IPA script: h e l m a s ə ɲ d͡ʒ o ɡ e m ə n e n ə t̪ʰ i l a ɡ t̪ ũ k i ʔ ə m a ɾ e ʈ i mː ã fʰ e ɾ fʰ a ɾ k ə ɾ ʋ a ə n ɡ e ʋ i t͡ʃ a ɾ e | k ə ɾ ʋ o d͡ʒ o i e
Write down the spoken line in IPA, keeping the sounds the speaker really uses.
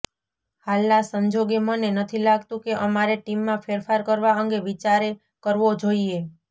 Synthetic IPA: h a l n a s ə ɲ d͡ʒ o ɡ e m ə n e n ə t̪ʰ i l a ɡ t̪ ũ k e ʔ ə m a ɾ e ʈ i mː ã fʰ e ɾ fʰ a ɾ k ə ɾ ʋ a ə ŋ ɡ e ʋ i t͡ʃ a ɾ e | k ə ɾ ʋ o d͡ʒ o i e